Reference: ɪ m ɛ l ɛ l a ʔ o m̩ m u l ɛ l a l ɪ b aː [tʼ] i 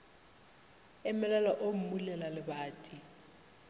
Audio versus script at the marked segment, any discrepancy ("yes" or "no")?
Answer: no